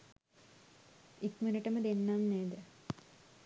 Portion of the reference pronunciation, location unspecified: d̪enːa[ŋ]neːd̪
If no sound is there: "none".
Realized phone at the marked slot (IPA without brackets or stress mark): m